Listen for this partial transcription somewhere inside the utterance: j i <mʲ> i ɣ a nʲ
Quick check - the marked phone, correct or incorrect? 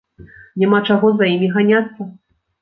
correct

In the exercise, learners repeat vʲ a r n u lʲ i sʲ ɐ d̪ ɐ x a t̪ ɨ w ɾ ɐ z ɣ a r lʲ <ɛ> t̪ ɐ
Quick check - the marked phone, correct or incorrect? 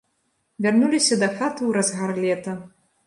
correct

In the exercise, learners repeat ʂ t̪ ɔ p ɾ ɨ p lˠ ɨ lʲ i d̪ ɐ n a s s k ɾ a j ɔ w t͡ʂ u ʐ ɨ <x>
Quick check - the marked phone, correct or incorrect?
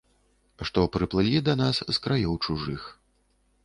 correct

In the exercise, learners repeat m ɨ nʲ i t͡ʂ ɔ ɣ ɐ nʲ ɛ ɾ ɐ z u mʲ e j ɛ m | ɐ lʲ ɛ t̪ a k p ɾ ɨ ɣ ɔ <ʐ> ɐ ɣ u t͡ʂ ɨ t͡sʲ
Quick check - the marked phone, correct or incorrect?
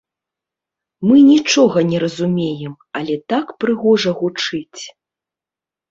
correct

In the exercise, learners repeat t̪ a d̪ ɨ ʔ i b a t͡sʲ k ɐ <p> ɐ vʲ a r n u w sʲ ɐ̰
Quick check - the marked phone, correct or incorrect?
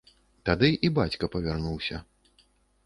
correct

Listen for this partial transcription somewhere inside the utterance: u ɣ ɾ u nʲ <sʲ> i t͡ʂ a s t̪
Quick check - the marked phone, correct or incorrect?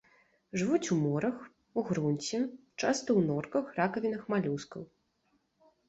incorrect: t͡sʲ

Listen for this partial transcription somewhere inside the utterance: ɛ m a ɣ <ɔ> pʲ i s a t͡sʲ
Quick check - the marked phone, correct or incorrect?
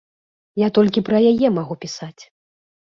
incorrect: u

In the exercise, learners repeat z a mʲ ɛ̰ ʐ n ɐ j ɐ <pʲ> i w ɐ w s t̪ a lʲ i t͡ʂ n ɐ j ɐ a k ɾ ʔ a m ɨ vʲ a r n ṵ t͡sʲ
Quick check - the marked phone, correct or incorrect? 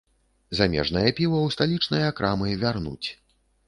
correct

